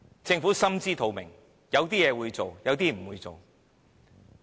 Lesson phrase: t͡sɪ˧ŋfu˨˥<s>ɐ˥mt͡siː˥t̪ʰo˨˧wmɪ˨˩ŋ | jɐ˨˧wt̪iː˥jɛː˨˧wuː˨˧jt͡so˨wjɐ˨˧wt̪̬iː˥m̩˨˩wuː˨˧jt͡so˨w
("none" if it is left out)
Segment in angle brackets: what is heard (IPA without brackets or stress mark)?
s